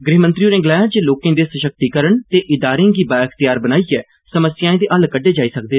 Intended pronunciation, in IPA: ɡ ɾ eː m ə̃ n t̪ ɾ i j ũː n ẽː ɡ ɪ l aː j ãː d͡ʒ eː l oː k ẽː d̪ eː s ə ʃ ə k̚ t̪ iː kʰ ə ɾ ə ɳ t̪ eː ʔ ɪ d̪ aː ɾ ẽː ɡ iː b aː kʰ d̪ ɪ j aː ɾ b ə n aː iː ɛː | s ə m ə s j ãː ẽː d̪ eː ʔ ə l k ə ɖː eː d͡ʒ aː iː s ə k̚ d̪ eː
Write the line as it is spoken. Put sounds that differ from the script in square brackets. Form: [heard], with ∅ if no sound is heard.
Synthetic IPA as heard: ɡ ɾ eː m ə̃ n t̪ ɾ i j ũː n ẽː ɡ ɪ l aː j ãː d͡ʒ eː l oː k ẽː d̪ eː s ə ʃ ə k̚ t̪ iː [k] ə ɾ ə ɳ t̪ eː ʔ ɪ d̪ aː ɾ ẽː ɡ iː b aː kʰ [t̪] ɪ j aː ɾ b ə n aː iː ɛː | s ə m ə s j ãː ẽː d̪ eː ʔ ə l k ə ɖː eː d͡ʒ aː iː s ə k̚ d̪ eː